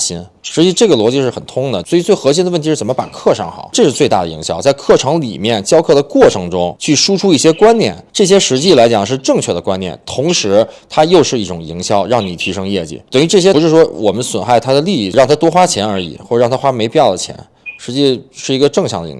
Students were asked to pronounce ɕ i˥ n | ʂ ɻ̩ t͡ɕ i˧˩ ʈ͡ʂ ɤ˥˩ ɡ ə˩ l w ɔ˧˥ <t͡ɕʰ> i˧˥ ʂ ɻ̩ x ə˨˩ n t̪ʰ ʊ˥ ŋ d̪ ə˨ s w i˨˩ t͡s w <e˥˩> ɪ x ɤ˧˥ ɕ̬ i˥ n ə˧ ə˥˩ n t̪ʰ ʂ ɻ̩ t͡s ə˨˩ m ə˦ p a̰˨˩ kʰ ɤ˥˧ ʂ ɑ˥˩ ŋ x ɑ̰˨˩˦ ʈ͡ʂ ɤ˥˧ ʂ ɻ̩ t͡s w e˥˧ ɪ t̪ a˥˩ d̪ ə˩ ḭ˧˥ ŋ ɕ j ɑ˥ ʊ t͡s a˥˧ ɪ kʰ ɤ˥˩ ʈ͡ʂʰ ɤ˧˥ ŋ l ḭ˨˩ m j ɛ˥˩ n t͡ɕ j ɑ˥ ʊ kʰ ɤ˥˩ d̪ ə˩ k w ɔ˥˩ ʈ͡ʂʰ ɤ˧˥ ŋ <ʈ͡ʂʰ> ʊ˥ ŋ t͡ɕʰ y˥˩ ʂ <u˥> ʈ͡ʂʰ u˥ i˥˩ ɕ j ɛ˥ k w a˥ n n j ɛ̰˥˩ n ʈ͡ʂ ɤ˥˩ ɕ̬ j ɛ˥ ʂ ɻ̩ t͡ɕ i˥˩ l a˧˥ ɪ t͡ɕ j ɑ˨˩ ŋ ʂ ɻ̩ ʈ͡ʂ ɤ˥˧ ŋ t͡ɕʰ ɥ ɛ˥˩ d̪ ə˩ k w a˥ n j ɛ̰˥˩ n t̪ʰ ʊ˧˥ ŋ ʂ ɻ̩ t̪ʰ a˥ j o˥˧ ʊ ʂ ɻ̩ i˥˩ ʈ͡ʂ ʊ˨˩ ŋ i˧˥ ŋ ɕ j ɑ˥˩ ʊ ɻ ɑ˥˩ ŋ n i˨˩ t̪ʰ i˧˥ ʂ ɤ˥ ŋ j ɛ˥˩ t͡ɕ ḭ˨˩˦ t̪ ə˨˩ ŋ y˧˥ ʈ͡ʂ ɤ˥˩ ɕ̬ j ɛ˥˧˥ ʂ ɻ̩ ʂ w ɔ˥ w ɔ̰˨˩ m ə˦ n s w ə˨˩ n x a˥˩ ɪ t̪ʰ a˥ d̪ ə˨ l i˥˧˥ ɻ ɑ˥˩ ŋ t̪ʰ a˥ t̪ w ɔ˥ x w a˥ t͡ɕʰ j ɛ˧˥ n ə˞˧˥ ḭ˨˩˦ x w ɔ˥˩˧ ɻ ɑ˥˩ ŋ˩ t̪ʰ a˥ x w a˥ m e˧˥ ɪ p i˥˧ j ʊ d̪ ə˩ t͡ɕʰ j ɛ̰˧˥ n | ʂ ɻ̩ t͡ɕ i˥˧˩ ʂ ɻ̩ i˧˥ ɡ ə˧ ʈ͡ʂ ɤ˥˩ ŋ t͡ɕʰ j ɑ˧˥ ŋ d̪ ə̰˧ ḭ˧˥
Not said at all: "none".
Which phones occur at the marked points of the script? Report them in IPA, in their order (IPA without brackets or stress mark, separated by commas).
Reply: t͡ɕ, e˥˩, ʈ͡ʂ, u˥